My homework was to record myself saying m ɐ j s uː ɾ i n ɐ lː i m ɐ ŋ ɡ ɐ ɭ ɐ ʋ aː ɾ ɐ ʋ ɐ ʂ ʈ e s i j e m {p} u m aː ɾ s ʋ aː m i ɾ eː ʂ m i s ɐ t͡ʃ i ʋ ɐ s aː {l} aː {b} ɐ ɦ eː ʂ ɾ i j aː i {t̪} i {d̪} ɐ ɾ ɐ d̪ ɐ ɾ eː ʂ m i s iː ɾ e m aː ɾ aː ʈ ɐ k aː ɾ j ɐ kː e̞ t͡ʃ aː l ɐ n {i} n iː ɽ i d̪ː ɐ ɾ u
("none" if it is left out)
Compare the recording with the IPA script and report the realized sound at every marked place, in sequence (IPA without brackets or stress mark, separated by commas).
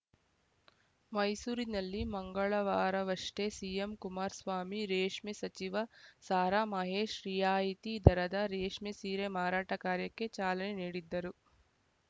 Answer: k, ɾ, m, t̪, d̪, e